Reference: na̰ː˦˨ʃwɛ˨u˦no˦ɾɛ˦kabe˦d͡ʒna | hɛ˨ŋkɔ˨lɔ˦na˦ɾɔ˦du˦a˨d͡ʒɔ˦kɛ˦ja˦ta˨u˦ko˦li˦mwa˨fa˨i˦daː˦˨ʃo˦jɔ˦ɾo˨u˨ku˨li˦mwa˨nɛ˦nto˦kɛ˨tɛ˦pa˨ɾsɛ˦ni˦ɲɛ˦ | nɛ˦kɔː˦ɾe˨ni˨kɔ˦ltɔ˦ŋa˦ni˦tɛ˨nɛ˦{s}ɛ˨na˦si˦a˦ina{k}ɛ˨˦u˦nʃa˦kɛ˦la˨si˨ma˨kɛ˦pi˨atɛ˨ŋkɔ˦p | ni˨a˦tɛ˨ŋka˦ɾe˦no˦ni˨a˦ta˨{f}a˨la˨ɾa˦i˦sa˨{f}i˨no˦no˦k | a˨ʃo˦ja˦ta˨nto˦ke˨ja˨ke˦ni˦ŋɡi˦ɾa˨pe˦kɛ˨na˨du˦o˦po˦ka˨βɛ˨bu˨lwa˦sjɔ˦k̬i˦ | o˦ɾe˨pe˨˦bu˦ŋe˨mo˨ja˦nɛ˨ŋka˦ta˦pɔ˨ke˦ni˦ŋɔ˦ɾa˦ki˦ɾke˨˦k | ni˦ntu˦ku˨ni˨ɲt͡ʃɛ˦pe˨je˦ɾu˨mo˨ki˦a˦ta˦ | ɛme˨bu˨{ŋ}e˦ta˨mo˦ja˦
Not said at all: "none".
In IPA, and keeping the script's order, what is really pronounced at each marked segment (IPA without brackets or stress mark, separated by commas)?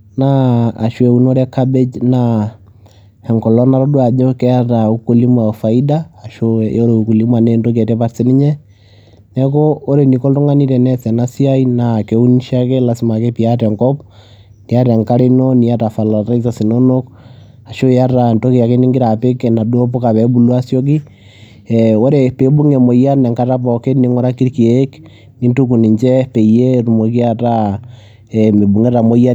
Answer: s, k, f, s, ŋ